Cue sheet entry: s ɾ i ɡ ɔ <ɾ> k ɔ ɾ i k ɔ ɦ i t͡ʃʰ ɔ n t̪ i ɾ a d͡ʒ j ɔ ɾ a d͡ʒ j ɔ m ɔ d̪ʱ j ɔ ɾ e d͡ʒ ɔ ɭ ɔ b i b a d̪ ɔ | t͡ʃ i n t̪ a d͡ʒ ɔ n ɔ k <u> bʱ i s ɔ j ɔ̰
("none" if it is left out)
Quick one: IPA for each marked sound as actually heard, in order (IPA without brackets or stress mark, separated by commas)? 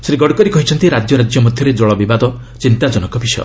ɽ, ɔ